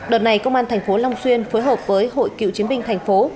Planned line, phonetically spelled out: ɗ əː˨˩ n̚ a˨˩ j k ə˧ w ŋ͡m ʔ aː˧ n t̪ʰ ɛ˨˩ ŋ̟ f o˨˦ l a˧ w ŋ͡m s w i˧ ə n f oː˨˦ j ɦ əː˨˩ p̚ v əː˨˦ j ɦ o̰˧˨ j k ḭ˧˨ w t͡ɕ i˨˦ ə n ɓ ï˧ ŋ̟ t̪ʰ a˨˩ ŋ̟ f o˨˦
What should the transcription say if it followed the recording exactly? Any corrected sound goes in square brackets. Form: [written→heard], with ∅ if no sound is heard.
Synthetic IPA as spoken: ɗ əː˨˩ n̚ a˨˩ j k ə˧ w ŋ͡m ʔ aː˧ n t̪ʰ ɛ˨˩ ŋ̟ f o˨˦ l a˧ w ŋ͡m s w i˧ ə n f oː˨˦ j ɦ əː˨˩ p̚ v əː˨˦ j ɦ o̰˧˨ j k ḭ˧˨ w t͡ɕ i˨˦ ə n ɓ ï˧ ŋ̟ t̪ʰ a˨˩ ŋ̟ f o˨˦